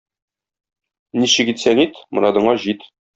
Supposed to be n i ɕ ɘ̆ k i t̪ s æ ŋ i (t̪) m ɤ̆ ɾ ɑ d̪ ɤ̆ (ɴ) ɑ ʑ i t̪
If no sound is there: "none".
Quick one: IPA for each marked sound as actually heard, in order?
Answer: t̪, ɴ

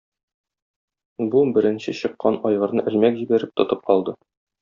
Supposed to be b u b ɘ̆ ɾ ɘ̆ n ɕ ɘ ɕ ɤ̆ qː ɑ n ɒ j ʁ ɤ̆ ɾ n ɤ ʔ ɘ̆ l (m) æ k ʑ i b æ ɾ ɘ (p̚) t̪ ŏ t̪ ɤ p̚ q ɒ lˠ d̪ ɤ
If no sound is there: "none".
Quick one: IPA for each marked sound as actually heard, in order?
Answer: m, p̚

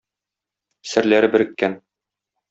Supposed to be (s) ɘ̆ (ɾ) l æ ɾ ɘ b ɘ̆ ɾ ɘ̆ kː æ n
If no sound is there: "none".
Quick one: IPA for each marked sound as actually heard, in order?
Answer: s, ɾ

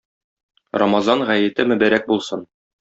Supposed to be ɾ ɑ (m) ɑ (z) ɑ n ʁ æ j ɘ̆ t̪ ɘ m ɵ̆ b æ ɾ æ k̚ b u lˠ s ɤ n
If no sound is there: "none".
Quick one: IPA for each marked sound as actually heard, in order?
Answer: m, z

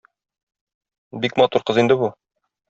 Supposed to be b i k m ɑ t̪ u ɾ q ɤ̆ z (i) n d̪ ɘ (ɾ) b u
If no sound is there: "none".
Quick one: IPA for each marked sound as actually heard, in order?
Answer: i, none

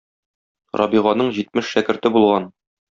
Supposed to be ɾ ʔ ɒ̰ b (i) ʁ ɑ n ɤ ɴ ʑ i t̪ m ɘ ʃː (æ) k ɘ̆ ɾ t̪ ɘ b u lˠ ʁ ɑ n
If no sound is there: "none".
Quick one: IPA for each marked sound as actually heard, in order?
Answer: i, æ

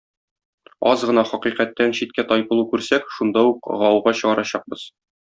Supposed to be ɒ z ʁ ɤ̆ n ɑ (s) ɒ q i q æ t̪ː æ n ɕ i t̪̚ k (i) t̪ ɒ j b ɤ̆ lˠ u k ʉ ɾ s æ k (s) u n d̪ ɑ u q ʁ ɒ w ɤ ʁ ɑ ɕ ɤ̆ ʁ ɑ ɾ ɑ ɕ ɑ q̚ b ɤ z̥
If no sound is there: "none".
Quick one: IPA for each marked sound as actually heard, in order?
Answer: χ, æ, ʃ

